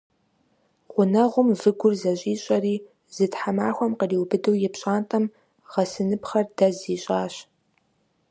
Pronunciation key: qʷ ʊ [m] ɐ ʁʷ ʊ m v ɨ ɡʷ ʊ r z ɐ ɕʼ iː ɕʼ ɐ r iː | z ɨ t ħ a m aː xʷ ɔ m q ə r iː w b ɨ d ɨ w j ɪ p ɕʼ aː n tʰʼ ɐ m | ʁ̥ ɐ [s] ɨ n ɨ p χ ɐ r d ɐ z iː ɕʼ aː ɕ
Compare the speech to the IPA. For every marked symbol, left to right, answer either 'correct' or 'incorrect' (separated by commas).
incorrect, correct